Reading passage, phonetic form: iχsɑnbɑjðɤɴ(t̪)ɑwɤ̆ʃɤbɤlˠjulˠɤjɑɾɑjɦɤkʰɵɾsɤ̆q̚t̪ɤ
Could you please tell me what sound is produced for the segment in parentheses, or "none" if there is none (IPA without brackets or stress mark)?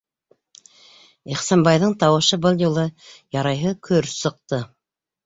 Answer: t̪